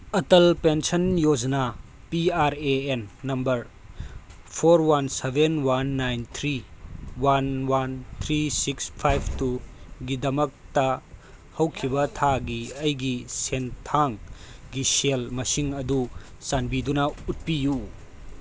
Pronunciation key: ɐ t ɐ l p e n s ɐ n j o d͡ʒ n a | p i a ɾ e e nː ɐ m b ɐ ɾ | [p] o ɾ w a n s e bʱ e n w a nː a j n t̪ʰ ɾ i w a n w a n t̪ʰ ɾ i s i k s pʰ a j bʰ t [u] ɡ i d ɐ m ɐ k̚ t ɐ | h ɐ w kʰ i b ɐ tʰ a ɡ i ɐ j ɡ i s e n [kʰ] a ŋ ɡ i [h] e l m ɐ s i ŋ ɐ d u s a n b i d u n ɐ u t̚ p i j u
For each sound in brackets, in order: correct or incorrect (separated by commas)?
incorrect, correct, incorrect, incorrect